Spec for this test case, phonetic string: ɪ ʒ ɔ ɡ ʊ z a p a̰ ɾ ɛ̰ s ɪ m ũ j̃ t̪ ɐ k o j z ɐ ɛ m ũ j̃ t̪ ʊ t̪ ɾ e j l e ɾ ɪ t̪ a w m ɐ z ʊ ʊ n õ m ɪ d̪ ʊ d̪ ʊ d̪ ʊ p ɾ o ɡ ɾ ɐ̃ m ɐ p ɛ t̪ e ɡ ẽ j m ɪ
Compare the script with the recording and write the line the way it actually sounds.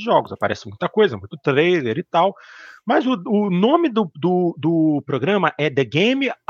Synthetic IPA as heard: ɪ ʒ ɔ ɡ ʊ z a p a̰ ɾ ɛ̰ s ɪ m ũ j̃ t̪ ɐ k o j z ɐ ɛ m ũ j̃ t̪ ʊ t̪ ɾ e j l e ɾ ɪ t̪ a w m ɐ z ʊ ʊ n õ m ɪ d̪ ʊ d̪ ʊ d̪ ʊ p ɾ o ɡ ɾ ɐ̃ m ɐ ʔ ɛ d̪ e ɡ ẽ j m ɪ